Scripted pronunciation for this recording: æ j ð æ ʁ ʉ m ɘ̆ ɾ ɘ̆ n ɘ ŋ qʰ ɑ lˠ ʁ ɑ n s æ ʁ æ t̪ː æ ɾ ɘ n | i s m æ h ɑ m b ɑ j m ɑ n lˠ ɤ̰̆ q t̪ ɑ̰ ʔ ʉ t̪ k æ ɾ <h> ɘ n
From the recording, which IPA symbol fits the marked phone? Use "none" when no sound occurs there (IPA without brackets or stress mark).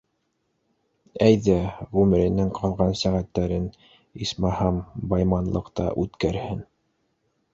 h